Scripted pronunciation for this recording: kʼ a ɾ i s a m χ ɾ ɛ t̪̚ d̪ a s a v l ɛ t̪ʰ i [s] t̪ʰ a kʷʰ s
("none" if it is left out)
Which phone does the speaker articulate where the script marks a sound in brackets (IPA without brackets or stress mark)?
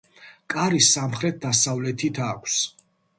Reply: none